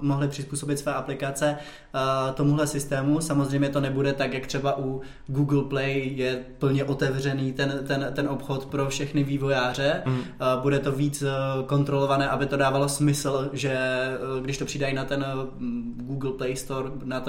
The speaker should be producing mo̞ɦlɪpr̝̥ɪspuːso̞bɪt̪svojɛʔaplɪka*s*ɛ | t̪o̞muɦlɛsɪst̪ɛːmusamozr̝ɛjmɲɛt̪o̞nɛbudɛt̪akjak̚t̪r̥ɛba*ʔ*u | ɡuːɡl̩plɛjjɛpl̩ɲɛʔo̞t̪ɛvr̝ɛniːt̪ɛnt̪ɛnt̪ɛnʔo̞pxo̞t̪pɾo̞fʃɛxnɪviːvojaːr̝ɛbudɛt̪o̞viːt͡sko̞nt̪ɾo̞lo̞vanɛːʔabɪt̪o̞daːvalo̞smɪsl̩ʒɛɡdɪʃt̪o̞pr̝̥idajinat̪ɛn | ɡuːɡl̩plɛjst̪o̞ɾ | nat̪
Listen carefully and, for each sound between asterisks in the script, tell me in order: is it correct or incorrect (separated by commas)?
incorrect, correct